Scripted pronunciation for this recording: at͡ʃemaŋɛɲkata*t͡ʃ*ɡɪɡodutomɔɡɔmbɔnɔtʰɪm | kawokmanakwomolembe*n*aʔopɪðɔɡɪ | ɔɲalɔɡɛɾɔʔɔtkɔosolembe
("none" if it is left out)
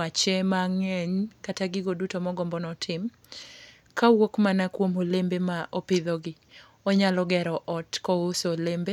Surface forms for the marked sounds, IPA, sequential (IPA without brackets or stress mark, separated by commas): none, m